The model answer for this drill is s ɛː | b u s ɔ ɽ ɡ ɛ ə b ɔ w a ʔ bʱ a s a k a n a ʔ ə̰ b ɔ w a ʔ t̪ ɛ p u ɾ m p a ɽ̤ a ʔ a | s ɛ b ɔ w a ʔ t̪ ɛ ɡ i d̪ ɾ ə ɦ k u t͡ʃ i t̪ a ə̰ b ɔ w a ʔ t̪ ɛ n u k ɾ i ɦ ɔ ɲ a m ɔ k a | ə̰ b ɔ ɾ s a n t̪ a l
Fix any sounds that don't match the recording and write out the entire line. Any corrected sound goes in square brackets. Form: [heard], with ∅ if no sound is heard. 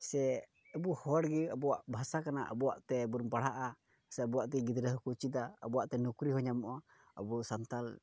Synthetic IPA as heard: s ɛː | b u [h] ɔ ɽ ɡ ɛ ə b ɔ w a ʔ bʱ a s a k a n a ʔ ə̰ b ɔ w a ʔ t̪ ɛ [b] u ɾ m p a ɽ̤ a ʔ a | s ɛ b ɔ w a ʔ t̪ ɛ ɡ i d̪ ɾ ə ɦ k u t͡ʃ i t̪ a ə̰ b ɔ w a ʔ t̪ ɛ n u k ɾ i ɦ ɔ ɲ a m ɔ [ʔ] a | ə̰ b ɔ [∅] s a n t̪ a l